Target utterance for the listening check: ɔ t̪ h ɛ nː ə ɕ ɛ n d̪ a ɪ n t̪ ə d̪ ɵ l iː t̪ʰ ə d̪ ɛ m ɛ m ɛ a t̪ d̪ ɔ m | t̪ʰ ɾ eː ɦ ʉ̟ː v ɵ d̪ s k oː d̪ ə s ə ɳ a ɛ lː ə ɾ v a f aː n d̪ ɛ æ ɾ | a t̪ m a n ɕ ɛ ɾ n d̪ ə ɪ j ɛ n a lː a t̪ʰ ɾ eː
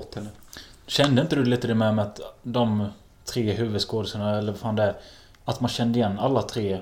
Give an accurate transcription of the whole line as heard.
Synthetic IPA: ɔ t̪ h ɛ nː ə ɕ ɛ n d̪ ə ɪ n t̪ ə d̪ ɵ l iː t̪ ə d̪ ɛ m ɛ m ɛ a t̪ d̪ ɔ m | t̪ʰ ɾ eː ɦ ʉ̟ː v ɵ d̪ s k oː d̪ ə s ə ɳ a ɛ lː ə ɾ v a f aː n d̪ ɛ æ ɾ | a t̪ m a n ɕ ɛ n d̪ ə ɪ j ɛ nː a lː a t̪ʰ ɾ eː